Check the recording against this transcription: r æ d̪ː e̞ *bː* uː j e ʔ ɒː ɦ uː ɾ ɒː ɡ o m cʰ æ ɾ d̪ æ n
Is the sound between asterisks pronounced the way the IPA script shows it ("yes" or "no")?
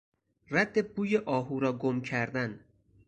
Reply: no